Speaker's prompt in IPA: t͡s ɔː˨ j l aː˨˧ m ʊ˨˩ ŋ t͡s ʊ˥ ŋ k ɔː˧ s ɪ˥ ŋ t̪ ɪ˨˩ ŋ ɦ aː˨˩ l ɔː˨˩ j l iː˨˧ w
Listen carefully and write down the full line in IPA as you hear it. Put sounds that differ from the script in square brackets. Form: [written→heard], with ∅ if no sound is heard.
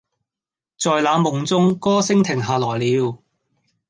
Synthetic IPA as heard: t͡s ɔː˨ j l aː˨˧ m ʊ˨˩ ŋ t͡s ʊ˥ ŋ k [ɔː˧→ɔː˥] s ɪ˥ ŋ [t̪→t̪ʰ] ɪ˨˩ ŋ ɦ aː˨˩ l ɔː˨˩ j l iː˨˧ w